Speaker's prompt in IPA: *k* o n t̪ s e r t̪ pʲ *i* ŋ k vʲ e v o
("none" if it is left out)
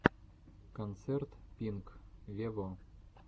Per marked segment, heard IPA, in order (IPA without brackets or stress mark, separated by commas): k, i